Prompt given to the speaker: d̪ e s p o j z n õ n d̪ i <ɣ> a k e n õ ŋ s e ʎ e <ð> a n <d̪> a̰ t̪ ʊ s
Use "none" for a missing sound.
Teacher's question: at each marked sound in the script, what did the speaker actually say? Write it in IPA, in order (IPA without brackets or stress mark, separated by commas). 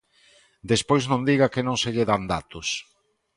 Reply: ɣ, ð, d̪